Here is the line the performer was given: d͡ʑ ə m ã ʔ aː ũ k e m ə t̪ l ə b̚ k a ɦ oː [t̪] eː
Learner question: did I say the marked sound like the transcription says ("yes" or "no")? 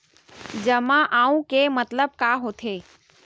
no